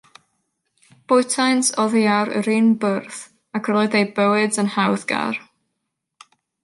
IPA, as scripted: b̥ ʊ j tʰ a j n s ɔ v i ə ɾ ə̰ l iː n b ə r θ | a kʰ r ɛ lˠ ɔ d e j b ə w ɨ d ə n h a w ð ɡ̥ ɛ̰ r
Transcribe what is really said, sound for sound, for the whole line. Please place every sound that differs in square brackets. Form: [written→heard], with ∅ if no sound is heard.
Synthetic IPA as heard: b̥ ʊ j tʰ a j n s ɔ [v→ð] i [ə→a] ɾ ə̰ [l→ɾ] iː n b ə r θ | a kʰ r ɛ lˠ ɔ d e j b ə w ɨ d ə n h a w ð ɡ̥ [ɛ̰→a̰] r